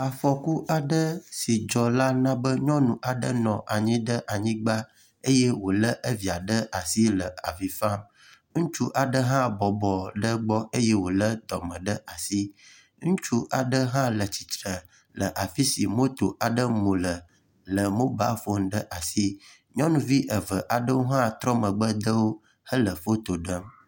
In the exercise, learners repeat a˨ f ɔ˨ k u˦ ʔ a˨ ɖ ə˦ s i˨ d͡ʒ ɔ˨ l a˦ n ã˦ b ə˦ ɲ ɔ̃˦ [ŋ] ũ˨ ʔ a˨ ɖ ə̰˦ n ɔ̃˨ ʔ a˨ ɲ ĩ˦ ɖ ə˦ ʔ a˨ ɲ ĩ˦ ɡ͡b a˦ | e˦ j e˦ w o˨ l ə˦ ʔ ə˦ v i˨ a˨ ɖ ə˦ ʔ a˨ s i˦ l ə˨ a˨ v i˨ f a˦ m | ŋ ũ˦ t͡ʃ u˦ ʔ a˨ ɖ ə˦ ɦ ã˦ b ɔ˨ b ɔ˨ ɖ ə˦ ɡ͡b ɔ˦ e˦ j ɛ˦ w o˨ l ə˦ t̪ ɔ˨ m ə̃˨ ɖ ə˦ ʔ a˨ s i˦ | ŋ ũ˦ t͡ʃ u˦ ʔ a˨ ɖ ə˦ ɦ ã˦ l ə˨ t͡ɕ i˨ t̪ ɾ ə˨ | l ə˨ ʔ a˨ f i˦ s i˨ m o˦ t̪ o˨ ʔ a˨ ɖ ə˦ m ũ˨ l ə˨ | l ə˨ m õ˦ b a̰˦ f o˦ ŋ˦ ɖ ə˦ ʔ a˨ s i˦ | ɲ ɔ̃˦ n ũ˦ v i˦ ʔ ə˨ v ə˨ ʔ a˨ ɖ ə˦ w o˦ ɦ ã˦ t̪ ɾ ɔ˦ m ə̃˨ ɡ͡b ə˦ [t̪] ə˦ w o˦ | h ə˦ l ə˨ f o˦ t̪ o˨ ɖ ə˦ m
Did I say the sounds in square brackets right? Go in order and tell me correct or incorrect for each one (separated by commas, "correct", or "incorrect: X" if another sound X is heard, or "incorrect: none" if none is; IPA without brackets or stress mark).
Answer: incorrect: n, incorrect: d̪